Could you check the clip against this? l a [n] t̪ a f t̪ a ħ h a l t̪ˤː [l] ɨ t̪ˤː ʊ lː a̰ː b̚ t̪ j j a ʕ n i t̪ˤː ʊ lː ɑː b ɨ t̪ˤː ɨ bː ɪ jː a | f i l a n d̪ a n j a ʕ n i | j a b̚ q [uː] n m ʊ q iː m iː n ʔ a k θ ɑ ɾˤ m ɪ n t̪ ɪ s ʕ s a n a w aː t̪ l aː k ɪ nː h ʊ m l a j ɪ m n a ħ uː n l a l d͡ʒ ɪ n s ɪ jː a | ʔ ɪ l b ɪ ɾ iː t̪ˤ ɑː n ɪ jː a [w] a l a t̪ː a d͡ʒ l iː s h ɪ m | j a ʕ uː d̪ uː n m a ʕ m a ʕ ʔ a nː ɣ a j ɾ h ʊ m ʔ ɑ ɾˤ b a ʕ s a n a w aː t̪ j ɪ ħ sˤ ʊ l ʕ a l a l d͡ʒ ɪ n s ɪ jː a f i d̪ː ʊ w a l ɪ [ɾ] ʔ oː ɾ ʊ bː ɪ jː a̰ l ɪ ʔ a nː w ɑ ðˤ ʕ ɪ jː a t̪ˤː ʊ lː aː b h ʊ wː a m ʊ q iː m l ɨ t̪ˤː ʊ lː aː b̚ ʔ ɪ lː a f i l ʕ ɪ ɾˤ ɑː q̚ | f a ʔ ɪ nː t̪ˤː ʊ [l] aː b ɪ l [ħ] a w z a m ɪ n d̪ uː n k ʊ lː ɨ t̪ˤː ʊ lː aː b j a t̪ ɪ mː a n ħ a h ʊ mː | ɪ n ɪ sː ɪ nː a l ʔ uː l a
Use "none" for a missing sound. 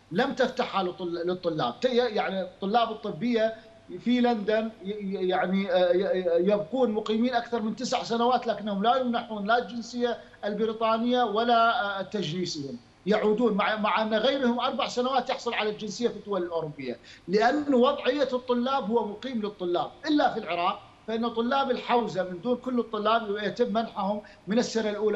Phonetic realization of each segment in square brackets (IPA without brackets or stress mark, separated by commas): m, l, uː, w, l, lː, ħ